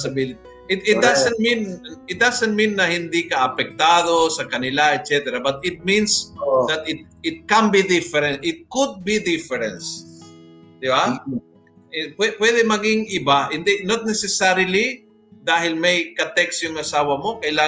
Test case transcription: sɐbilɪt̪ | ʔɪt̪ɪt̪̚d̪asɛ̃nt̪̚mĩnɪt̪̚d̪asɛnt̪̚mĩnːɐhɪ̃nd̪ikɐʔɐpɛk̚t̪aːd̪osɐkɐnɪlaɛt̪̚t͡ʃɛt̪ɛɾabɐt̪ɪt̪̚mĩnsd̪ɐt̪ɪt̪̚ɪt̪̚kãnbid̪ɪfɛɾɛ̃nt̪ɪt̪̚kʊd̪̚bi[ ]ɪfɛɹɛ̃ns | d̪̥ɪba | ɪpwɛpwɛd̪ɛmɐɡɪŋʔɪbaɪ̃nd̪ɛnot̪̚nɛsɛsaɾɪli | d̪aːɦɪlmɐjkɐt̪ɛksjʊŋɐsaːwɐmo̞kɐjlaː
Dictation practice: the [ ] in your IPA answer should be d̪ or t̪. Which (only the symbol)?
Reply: d̪